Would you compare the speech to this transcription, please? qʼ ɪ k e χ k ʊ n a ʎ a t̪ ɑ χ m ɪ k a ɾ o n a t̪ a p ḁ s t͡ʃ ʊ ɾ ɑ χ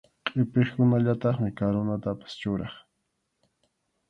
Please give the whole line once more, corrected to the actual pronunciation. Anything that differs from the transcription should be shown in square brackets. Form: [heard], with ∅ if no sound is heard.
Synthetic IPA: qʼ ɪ [p] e χ k ʊ n a ʎ a t̪ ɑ χ m ɪ k a ɾ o n a t̪ a p ḁ s t͡ʃ ʊ ɾ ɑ χ

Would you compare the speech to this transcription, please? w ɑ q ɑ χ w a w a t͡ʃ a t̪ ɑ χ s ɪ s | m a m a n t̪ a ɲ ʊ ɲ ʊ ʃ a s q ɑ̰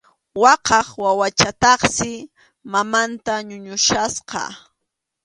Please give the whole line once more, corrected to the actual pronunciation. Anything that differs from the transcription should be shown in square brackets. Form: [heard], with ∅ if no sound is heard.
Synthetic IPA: w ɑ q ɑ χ w a w a t͡ʃ a t̪ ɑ χ s ɪ [∅] | m a m a n t̪ a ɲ ʊ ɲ ʊ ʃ a s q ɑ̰

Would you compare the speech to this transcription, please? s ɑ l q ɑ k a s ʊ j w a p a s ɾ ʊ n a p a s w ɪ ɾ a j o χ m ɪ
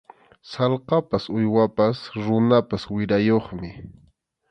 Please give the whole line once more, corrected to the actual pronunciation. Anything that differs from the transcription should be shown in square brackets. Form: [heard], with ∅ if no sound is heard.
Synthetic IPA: s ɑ l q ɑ [p] a s ʊ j w a p a s ɾ ʊ n a p a s w ɪ ɾ a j o χ m ɪ

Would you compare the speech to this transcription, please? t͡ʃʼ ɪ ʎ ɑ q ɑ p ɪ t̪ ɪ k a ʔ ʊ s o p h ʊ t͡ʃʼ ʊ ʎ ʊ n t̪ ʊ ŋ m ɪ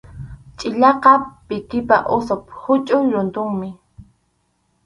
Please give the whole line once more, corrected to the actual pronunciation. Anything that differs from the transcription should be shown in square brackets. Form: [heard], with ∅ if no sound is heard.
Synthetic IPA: t͡ʃʼ ɪ ʎ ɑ q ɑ p ɪ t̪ ɪ [p] a ʔ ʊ s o p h ʊ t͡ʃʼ ʊ [ɾ] ʊ n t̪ ʊ ŋ m ɪ

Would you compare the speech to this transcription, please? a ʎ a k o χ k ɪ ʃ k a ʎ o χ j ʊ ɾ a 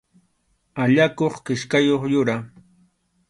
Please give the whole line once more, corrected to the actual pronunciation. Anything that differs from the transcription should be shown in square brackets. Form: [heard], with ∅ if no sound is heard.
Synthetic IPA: a ʎ a k o χ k ɪ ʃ k a [j] o χ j ʊ ɾ a

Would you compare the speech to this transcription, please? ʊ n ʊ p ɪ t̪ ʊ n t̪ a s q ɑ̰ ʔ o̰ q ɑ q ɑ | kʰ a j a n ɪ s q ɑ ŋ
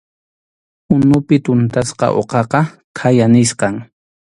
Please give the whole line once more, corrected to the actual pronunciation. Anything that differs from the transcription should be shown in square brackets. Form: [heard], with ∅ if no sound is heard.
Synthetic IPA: ʊ n ʊ p ɪ t̪ ʊ n t̪ a s q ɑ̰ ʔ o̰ q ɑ q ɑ | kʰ a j a n ɪ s q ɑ ŋ

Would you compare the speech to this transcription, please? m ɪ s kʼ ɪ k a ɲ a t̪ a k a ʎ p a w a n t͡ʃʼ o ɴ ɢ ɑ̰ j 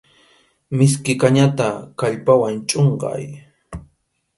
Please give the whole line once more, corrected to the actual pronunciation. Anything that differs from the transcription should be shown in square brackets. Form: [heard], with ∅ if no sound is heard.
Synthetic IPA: m ɪ s [k] ɪ k a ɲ a t̪ a k a ʎ p a w a n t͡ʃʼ o ɴ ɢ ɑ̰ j

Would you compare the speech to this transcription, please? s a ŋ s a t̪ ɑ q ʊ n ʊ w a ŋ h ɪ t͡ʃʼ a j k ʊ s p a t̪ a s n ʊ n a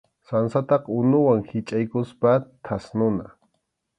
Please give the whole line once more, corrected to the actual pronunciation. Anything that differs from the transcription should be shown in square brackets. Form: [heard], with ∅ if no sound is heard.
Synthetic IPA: s a [n] s a t̪ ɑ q ʊ n ʊ w a ŋ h ɪ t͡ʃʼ a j k ʊ s p a [t̪ʰ] a s n ʊ n a

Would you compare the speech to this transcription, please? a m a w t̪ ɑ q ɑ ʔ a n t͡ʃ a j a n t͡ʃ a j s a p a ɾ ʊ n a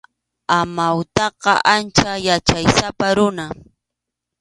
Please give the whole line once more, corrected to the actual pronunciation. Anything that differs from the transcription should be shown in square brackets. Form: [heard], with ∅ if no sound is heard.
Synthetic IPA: a m a w t̪ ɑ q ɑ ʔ a n t͡ʃ a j a [∅] t͡ʃ a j s a p a ɾ ʊ n a

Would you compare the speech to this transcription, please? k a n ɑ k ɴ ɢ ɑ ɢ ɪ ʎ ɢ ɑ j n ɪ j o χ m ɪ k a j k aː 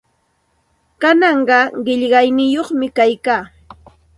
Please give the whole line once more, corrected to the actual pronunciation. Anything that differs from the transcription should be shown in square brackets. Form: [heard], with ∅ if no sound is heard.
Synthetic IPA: k a n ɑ [∅] ɴ ɢ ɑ ɢ ɪ ʎ ɢ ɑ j n ɪ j o χ m ɪ k a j k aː

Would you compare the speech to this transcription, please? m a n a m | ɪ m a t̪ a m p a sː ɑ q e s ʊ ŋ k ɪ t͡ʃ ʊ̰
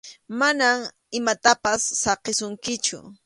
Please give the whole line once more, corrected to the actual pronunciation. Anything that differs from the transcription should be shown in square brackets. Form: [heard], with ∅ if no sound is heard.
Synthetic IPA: m a n a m | ɪ m a t̪ a [∅] p a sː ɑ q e s ʊ ŋ k ɪ t͡ʃ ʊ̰

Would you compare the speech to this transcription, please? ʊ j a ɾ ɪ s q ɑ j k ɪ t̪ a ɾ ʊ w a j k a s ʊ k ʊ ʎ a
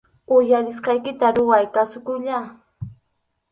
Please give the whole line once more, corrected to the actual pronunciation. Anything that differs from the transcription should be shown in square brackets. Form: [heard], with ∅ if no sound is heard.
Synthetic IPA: ʊ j a ɾ ɪ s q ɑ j k ɪ t̪ a ɾ ʊ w a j k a s ʊ k ʊ ʎ a

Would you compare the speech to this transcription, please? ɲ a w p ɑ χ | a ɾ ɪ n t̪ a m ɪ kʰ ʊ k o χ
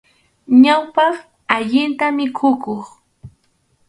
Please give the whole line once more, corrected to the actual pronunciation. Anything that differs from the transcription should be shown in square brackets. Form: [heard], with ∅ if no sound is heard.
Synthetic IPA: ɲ a w p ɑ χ | a [ʎ] ɪ n t̪ a m ɪ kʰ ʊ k o χ

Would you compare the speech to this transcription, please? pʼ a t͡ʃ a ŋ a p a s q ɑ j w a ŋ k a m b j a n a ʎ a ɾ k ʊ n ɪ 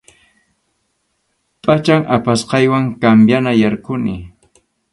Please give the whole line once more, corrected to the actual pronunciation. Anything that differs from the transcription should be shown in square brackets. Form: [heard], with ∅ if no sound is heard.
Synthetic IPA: pʼ a t͡ʃ a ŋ a p a s q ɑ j w a ŋ k a m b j a n a [j] a ɾ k ʊ n ɪ

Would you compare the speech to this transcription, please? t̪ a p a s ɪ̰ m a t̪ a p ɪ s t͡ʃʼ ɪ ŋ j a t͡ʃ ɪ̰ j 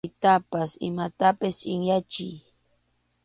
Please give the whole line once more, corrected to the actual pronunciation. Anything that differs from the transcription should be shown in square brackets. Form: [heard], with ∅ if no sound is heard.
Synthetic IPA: t̪ a p a s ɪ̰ m a t̪ a p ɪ s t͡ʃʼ ɪ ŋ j a t͡ʃ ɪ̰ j

